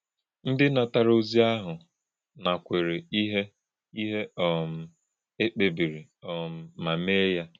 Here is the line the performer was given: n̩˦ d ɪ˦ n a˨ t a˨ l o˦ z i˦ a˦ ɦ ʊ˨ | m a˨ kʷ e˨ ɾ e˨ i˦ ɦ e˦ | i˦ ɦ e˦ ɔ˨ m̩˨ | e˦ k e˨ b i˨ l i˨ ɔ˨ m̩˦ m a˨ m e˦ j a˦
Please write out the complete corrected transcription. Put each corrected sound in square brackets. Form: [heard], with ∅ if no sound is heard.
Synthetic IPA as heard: n̩˦ d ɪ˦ n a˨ t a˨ [ɾ] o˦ z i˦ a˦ ɦ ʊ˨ | [n] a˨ kʷ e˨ ɾ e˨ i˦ ɦ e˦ | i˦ ɦ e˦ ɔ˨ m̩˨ | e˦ [k͡p] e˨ b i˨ [ɾ] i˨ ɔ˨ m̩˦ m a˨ m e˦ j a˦